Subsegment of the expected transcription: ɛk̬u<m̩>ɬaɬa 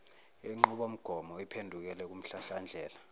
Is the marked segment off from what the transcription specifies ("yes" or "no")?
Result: no